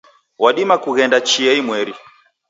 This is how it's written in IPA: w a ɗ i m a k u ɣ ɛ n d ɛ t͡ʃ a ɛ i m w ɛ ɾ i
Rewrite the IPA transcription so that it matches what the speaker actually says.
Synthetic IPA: w a ɗ i m a k u ɣ ɛ n d a t͡ʃ i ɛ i m w ɛ ɾ i